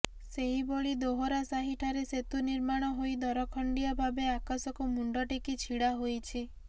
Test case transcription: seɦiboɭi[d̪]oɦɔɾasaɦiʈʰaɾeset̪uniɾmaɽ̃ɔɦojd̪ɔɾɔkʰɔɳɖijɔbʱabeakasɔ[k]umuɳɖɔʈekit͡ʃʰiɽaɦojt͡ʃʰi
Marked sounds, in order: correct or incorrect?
correct, correct

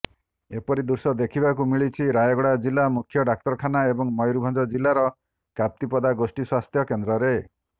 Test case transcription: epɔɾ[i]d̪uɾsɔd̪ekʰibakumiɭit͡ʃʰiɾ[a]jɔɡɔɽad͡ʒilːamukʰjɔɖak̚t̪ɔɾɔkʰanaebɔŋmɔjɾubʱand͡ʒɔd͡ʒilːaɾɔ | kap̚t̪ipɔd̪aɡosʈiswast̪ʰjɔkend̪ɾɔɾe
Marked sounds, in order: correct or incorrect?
correct, correct

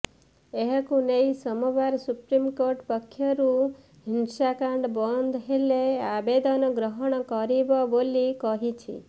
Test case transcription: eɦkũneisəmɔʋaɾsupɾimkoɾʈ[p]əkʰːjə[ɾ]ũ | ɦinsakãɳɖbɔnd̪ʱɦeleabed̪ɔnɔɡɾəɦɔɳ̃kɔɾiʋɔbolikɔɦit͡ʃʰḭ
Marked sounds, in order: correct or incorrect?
correct, correct

